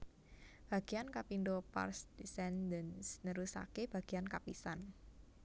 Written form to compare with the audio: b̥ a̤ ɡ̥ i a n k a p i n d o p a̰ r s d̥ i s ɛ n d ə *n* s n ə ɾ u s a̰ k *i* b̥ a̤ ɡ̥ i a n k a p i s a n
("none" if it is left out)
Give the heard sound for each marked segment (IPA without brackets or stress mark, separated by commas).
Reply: n, e